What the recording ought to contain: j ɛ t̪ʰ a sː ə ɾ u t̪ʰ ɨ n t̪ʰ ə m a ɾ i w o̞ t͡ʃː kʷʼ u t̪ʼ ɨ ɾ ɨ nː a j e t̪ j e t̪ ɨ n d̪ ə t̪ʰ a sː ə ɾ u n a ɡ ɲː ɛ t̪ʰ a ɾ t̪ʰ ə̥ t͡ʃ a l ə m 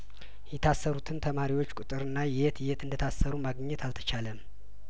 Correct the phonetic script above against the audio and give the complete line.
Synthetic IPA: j ɛ t̪ʰ a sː ə ɾ u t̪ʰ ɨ n t̪ʰ ə m a ɾ i w o̞ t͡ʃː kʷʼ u t̪ʼ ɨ ɾ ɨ nː a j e t̪ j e t̪ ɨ n d̪ ə t̪ʰ a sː ə ɾ u m a ɡ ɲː ɛ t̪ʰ a l t̪ʰ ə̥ t͡ʃ a l ə m